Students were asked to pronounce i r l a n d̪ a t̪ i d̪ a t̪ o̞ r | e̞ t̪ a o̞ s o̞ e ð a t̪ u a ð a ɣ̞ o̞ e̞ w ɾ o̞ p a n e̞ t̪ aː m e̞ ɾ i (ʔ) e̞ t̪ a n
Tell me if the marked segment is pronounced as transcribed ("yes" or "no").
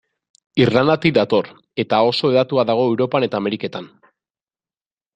no